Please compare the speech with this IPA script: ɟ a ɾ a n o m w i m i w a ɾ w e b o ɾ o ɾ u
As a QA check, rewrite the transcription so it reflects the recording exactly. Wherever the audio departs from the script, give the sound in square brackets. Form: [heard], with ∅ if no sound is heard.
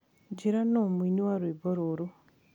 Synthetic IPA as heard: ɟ [i] ɾ a n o m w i [n] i w a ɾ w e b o ɾ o ɾ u